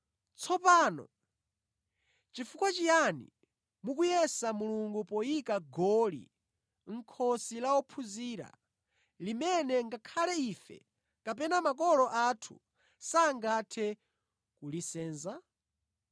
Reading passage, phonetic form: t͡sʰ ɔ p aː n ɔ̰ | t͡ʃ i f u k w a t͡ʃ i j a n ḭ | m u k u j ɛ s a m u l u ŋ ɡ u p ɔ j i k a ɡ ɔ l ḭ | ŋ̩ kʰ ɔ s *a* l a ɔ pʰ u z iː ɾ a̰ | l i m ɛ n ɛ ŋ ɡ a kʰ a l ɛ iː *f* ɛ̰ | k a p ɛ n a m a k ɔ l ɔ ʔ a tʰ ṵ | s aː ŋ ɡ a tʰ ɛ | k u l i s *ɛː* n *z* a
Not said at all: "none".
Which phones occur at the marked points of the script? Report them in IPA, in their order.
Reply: i, f, ɛː, z

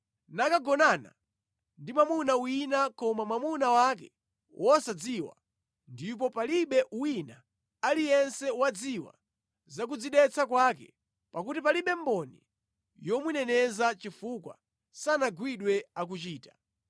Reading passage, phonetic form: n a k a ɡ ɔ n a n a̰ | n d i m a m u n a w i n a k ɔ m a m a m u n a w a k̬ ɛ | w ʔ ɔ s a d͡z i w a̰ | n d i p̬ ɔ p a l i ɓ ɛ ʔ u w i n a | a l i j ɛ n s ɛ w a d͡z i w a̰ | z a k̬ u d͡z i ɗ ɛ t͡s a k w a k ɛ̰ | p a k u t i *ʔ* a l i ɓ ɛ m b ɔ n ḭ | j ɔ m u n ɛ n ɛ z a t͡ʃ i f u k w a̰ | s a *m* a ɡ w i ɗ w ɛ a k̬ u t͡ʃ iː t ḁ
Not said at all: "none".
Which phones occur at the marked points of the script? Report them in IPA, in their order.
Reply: p, n

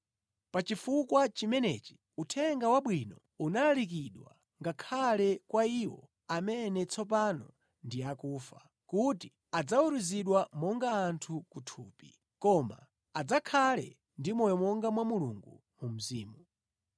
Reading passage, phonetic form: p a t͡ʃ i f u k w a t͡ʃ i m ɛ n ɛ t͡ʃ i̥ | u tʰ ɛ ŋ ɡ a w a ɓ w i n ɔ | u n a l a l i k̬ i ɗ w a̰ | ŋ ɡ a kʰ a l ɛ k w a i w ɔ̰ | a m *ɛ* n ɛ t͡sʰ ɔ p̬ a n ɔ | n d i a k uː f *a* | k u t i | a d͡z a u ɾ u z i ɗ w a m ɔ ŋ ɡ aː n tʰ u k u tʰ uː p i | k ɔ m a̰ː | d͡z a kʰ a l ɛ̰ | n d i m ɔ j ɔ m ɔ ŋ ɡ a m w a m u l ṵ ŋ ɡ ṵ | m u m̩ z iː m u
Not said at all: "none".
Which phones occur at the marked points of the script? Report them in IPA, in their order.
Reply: ɛ, a

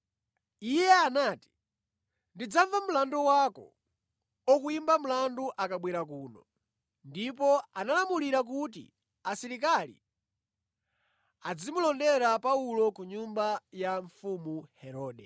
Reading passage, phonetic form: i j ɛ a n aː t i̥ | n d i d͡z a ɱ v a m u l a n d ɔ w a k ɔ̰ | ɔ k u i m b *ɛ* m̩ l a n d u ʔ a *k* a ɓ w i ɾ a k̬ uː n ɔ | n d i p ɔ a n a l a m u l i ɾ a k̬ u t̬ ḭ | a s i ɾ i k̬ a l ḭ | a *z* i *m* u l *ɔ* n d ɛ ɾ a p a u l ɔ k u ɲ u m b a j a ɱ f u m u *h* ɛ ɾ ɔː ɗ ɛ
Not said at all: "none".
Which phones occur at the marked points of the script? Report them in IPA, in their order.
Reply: a, k, d͡z, m, ɔ, h

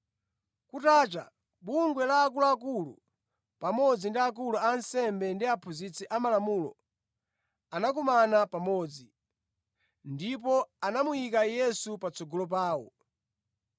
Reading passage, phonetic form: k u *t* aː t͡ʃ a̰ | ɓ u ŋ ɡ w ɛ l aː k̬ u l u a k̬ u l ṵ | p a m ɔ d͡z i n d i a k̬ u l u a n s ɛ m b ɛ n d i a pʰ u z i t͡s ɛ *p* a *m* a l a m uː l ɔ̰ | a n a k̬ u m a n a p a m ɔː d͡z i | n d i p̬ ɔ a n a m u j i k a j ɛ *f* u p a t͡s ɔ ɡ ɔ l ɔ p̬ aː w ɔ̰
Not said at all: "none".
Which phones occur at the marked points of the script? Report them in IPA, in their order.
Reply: t, ʔ, m, s

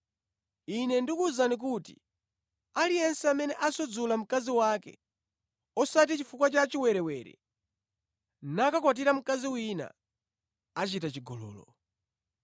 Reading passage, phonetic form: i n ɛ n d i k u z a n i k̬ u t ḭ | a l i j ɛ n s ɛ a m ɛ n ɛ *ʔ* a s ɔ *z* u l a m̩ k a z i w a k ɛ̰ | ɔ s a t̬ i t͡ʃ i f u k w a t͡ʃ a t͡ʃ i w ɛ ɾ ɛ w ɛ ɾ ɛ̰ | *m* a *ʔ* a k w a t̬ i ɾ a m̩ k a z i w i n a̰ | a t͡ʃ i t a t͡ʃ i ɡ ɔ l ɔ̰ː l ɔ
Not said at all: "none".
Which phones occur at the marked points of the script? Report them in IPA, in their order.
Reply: ʔ, d͡z, n, k

